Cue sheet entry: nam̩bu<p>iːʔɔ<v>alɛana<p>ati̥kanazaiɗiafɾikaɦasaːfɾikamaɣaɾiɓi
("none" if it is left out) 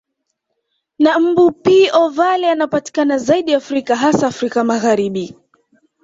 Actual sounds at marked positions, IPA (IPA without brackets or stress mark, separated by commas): p, v, p